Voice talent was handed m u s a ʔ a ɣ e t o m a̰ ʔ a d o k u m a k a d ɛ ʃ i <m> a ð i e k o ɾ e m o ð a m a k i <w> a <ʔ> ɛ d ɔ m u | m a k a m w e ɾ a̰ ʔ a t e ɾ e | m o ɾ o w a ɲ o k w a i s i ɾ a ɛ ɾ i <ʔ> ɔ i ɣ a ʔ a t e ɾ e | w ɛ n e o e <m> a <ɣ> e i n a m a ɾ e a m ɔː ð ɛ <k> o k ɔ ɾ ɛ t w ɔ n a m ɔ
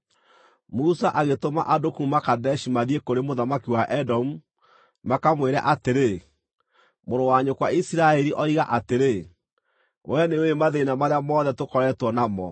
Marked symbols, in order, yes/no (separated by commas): yes, yes, yes, yes, yes, no, no